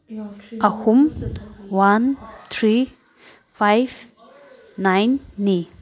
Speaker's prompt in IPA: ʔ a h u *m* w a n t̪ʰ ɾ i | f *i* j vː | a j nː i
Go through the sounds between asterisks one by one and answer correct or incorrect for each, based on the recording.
correct, incorrect: a

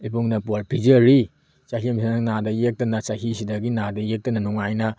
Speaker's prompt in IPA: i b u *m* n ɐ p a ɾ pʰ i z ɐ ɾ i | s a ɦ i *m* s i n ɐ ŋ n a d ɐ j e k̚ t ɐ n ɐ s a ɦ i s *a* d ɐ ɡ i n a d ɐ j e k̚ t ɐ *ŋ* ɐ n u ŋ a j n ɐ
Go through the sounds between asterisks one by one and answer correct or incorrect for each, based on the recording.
incorrect: ŋ, correct, incorrect: i, incorrect: n

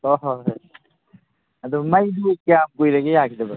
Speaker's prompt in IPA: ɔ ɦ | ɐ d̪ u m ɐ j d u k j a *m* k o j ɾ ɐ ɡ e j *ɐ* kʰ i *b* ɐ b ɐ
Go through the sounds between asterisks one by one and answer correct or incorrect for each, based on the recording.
correct, incorrect: a, incorrect: d

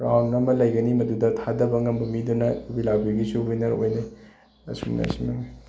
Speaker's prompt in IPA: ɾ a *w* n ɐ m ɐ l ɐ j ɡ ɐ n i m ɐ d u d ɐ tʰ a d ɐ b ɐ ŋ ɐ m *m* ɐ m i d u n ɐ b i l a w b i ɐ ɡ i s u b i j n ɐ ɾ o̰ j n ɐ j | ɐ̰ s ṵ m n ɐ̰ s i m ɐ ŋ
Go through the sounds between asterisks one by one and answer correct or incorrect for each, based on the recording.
correct, incorrect: b

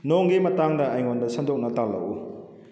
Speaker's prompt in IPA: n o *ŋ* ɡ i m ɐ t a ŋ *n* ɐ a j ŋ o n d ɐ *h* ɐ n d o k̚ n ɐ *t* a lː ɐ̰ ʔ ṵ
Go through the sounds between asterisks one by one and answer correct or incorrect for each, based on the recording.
correct, incorrect: d, incorrect: s, correct

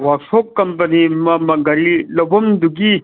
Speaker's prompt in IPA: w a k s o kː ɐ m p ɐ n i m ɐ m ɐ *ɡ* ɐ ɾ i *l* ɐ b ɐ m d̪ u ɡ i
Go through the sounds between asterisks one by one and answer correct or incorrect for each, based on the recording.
correct, correct

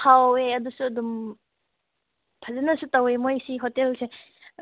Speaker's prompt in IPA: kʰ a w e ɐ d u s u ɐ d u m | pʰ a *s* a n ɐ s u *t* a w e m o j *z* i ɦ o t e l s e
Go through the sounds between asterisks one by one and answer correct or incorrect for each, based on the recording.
incorrect: z, correct, incorrect: s

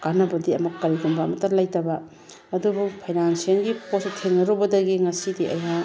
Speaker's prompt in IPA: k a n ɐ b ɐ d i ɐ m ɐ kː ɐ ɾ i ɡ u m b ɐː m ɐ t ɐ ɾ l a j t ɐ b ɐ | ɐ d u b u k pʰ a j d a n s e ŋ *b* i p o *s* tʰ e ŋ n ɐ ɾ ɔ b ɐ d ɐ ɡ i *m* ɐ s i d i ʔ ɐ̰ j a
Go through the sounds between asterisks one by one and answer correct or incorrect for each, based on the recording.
incorrect: ɡ, correct, incorrect: ŋ

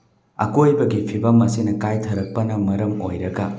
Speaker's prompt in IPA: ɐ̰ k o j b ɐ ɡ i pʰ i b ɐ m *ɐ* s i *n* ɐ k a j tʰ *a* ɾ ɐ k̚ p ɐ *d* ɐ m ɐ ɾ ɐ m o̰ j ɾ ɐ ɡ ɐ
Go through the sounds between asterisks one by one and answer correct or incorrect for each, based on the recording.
correct, correct, incorrect: ɐ, incorrect: n

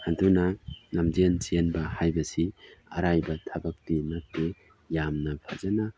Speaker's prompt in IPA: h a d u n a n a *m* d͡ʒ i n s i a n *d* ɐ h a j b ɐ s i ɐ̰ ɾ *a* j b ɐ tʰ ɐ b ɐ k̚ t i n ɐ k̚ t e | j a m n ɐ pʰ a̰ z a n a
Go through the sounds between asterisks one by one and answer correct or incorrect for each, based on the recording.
correct, incorrect: b, correct

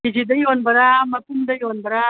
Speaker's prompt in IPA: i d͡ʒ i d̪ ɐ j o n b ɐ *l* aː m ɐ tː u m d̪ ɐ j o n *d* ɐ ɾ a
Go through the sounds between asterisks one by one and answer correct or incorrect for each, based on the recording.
incorrect: ɾ, incorrect: b

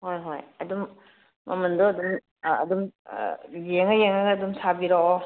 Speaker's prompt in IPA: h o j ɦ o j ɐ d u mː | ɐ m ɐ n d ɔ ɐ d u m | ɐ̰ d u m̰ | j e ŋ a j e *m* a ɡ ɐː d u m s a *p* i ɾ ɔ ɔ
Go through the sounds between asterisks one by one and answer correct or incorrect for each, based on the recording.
incorrect: ŋ, incorrect: b

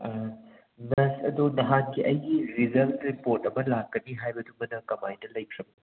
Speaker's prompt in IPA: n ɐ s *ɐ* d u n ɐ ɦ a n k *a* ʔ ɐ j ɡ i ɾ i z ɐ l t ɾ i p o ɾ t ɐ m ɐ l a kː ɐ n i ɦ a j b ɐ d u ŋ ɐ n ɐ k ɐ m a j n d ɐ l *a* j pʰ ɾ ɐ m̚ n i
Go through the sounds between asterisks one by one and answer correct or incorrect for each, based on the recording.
correct, incorrect: i, incorrect: ɐ

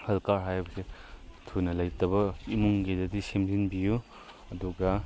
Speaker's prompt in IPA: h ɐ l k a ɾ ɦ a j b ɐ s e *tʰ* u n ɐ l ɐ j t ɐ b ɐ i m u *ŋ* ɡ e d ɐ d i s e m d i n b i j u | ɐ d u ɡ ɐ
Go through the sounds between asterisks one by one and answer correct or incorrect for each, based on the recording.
correct, correct

